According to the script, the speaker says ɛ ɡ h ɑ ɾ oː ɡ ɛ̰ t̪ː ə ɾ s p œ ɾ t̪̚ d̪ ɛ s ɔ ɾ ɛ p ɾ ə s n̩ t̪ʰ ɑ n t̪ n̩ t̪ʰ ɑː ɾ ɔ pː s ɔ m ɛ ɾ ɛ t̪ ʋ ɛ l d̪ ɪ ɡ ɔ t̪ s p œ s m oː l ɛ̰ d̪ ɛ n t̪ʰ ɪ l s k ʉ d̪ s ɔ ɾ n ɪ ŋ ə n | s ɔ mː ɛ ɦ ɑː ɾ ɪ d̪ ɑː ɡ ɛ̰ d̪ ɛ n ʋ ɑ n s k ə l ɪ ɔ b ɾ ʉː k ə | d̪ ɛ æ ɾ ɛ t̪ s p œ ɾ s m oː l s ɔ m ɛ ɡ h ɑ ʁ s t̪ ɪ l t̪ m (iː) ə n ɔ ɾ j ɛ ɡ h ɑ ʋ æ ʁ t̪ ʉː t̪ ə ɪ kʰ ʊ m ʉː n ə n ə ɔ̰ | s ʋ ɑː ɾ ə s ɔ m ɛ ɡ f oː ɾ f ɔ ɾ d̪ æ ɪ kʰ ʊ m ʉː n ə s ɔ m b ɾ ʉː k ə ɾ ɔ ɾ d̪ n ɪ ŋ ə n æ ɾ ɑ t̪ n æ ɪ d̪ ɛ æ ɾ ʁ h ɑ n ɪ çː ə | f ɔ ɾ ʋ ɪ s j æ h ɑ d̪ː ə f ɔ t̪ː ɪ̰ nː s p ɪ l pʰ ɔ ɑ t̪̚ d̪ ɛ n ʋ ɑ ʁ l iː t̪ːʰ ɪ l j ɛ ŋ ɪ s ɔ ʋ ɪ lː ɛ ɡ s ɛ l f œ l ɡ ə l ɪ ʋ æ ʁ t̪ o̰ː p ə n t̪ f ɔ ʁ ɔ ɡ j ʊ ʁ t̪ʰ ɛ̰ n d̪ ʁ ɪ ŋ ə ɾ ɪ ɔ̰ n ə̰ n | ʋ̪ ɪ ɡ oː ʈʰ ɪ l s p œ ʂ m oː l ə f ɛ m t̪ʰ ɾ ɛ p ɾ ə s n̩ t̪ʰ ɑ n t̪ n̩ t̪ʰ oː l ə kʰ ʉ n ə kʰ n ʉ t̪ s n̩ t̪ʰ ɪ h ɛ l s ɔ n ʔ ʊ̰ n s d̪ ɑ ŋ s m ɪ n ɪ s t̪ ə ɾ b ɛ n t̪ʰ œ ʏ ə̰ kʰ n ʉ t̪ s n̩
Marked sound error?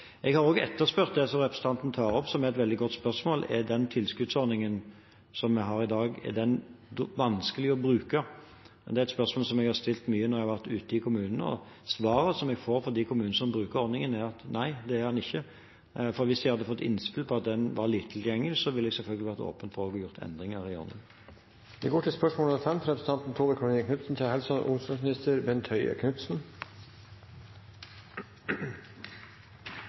yes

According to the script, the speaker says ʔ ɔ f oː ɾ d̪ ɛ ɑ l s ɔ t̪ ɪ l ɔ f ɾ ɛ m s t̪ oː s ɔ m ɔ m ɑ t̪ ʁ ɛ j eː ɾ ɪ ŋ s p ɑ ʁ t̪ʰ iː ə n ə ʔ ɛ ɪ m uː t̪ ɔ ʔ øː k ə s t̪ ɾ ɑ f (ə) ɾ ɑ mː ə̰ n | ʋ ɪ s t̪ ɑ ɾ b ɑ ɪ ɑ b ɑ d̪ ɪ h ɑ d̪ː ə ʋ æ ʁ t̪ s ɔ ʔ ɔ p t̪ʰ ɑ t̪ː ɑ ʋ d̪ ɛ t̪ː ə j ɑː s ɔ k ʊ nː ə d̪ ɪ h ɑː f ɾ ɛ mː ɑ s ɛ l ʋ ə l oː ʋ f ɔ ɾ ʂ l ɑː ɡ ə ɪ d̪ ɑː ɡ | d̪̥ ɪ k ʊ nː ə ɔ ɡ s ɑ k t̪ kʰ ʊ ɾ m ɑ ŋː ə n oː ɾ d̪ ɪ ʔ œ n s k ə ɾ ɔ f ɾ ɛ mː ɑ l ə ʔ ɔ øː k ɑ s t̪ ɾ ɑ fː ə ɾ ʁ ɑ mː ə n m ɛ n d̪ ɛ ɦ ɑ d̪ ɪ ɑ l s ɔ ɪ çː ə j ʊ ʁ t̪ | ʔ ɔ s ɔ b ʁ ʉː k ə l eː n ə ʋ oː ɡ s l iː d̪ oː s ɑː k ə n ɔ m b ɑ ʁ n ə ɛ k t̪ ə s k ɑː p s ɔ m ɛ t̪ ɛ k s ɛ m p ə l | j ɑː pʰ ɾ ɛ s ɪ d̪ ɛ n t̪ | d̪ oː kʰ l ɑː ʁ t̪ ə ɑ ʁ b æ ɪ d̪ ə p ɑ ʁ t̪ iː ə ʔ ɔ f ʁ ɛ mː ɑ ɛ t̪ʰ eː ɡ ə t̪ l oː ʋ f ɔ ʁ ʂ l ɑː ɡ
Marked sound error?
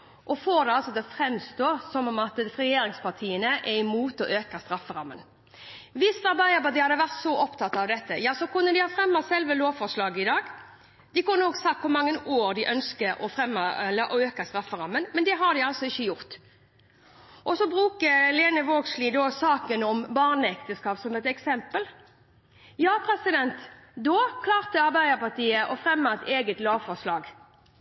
no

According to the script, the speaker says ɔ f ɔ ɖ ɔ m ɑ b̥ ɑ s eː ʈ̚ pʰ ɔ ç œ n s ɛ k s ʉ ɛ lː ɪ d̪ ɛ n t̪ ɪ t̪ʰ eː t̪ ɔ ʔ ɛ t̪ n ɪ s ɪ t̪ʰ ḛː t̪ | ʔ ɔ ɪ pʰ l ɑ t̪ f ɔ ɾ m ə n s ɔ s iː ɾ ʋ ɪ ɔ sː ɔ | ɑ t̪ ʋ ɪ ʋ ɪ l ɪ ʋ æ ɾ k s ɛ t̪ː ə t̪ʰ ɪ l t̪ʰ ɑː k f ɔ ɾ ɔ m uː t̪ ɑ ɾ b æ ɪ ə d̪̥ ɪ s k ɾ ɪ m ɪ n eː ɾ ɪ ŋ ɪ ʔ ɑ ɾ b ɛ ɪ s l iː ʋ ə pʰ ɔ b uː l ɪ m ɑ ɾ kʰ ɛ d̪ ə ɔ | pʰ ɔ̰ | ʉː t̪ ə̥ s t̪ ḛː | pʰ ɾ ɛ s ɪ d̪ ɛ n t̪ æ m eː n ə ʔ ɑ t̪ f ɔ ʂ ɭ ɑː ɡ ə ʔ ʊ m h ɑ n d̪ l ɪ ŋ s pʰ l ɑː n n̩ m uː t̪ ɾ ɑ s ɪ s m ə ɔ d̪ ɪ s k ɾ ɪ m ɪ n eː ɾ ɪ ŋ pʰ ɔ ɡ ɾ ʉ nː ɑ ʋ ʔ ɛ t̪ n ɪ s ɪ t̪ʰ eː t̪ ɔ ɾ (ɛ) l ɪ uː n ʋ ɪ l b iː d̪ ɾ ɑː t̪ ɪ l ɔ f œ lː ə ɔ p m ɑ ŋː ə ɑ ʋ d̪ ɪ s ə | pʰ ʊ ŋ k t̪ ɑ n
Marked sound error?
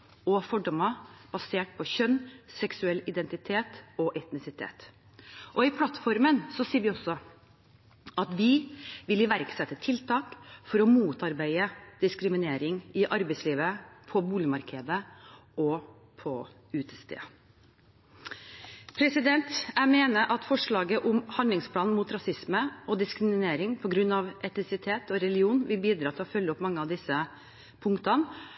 no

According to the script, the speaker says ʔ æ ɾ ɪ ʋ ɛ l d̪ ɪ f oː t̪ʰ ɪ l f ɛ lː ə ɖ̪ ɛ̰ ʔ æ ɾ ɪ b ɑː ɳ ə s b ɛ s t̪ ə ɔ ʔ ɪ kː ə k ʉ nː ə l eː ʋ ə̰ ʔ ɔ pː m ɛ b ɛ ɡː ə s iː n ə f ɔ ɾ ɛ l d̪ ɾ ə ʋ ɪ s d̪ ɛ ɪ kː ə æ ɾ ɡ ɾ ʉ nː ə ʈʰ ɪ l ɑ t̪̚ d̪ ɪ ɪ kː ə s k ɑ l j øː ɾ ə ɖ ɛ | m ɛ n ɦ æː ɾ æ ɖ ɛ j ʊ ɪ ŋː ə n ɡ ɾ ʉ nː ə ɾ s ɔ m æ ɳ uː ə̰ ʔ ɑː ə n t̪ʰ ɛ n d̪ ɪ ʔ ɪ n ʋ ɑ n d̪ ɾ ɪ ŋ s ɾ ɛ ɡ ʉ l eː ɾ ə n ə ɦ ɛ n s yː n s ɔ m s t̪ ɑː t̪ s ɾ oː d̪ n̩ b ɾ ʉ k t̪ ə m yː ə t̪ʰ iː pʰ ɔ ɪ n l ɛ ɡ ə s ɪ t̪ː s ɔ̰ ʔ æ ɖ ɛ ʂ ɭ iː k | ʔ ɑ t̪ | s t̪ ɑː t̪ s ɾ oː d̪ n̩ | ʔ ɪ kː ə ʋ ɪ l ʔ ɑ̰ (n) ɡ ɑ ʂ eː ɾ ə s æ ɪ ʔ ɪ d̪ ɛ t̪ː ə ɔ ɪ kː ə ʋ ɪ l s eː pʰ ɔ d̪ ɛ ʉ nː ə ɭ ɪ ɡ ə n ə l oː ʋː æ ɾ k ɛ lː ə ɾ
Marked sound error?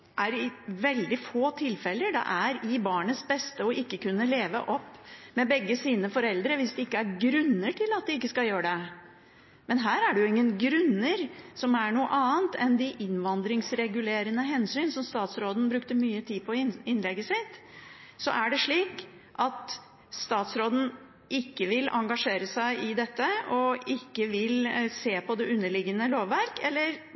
yes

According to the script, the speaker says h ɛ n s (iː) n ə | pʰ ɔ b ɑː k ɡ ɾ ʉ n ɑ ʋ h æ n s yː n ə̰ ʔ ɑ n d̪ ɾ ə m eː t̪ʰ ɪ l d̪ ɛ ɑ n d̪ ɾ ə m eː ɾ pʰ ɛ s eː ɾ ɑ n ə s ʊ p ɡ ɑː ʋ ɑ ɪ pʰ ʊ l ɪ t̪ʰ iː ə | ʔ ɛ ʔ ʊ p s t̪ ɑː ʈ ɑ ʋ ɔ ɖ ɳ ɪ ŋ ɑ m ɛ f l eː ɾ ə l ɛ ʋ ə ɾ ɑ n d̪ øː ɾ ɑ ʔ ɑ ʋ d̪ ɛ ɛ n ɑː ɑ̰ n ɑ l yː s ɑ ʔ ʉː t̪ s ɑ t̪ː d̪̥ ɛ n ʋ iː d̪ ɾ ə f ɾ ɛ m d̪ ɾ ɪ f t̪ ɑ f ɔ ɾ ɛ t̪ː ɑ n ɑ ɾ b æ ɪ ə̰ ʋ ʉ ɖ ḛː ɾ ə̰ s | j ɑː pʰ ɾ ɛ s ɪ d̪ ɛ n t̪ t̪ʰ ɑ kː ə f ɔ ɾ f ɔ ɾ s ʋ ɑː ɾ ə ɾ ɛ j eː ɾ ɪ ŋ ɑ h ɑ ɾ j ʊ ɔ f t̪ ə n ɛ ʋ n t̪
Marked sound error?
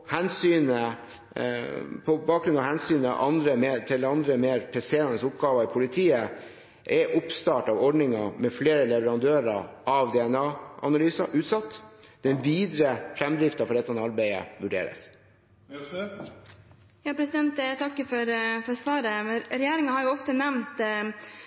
yes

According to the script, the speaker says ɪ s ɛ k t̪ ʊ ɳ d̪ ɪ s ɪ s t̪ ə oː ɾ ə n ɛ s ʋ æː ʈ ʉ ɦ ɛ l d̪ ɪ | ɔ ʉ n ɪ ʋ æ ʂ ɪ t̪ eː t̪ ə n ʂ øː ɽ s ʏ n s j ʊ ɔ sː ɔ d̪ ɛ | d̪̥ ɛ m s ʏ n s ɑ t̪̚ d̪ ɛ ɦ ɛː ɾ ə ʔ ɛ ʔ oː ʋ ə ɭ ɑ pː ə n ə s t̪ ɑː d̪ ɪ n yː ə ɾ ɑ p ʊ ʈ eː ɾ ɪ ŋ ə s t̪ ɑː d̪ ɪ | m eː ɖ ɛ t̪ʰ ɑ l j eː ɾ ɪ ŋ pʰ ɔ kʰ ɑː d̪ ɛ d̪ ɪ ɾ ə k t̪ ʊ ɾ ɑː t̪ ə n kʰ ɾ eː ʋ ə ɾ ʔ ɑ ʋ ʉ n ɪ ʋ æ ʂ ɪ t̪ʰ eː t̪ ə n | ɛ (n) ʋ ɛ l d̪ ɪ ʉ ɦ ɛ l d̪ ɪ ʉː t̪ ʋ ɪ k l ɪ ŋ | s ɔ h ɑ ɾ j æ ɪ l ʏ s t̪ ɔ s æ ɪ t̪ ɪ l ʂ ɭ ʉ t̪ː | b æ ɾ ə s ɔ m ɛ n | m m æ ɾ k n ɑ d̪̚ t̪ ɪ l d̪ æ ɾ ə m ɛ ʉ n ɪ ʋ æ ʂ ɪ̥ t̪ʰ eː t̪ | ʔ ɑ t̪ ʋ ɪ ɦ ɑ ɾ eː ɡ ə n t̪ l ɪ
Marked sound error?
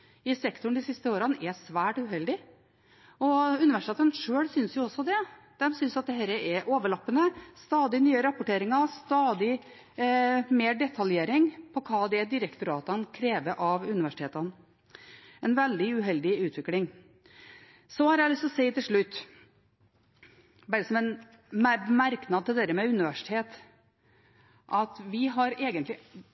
no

